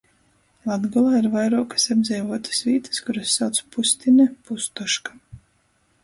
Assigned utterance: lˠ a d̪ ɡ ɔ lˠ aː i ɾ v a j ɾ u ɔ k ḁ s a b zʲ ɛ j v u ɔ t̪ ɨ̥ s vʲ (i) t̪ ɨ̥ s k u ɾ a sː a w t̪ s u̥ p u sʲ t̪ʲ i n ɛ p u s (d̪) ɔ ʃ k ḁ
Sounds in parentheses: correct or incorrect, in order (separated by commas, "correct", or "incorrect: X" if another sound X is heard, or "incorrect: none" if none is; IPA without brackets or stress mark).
incorrect: iː, incorrect: t̪